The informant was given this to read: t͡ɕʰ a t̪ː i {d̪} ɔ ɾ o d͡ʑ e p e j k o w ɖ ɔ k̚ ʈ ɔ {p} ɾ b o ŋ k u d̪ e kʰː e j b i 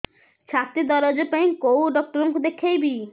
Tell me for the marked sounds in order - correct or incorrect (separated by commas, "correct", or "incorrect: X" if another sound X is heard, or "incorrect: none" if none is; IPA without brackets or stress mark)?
correct, incorrect: none